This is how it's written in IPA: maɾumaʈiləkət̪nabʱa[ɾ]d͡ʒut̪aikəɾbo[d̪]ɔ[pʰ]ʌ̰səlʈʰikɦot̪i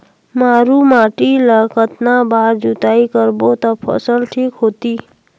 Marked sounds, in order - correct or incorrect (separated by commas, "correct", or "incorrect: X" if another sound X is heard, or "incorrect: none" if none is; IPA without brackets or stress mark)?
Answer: correct, incorrect: t̪, correct